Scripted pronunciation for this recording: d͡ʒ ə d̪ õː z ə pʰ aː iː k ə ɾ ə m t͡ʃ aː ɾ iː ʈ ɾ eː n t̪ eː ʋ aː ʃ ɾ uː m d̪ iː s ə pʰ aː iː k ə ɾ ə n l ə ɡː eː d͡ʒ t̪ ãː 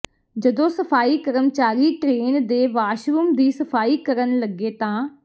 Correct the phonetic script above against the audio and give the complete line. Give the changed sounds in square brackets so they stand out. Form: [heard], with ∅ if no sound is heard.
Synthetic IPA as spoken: d͡ʒ ə d̪ õː [s] ə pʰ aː iː k ə ɾ ə m t͡ʃ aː ɾ iː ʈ ɾ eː n [d̪] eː ʋ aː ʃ ɾ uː m d̪ iː s ə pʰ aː iː k ə ɾ ə n l ə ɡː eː [∅] t̪ ãː